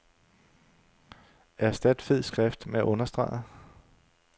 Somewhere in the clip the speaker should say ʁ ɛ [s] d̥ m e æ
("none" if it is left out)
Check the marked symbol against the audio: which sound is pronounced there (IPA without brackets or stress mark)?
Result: f